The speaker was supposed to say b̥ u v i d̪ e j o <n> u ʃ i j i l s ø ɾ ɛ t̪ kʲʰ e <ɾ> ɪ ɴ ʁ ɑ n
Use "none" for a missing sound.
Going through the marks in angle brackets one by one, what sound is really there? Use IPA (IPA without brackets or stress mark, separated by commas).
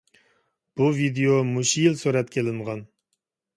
m, l